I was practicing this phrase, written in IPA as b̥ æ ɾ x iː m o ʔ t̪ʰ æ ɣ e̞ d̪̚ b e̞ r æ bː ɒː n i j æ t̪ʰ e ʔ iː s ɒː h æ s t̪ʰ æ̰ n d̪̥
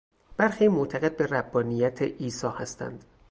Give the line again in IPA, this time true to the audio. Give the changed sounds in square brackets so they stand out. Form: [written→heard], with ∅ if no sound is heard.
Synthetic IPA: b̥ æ ɾ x iː m o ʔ t̪ʰ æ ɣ e̞ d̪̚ b e̞ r æ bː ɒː n i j æ t̪ʰ e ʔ iː s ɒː h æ s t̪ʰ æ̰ n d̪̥